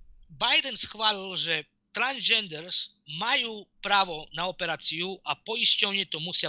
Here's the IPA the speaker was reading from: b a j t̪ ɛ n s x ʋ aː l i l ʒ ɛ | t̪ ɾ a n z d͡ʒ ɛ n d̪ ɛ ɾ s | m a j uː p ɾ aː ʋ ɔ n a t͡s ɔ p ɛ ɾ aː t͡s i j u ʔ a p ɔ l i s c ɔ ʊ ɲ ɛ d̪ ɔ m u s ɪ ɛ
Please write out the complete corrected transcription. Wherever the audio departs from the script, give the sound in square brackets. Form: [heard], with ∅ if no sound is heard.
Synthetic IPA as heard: b a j [d̪] ɛ n s x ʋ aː l i l ʒ ɛ | t̪ ɾ a n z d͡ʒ ɛ n d̪ ɛ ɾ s | m a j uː p ɾ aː ʋ ɔ n a [∅] ɔ p ɛ ɾ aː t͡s i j u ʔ a p ɔ [∅] i s c ɔ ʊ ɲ ɛ [t̪] ɔ m u s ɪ [a]